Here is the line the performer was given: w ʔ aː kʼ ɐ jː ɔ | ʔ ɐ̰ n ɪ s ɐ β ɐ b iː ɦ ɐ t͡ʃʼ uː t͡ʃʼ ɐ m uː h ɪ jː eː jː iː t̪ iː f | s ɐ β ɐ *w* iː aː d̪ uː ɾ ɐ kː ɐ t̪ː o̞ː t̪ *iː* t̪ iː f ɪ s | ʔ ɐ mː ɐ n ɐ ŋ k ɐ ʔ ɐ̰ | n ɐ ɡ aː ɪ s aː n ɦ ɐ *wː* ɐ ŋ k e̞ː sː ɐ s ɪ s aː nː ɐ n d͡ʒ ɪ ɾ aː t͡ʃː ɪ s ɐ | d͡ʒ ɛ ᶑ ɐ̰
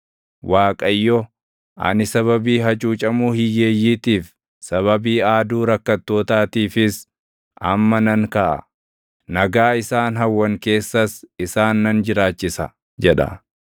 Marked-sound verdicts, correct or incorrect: incorrect: b, incorrect: aː, correct

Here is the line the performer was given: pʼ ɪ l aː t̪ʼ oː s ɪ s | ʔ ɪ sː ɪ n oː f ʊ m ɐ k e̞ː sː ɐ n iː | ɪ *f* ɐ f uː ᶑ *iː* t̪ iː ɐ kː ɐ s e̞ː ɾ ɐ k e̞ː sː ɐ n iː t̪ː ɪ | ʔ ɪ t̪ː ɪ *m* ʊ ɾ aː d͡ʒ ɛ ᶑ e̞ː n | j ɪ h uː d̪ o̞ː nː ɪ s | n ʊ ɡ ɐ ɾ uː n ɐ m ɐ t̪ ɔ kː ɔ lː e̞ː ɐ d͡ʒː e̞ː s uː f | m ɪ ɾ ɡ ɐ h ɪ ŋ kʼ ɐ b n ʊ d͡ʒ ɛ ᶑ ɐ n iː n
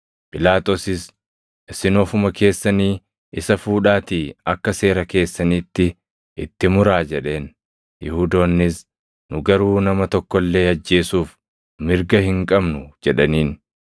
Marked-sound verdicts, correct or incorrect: incorrect: s, incorrect: aː, correct

